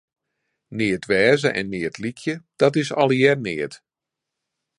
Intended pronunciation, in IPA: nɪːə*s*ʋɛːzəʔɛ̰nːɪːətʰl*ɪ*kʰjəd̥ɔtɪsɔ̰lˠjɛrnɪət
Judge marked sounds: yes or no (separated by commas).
no, no